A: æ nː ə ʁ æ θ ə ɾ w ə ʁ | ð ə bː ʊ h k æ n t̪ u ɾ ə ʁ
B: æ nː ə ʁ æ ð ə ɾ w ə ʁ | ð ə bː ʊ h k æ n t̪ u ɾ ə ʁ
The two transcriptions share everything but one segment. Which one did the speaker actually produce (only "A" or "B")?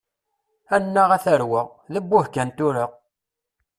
A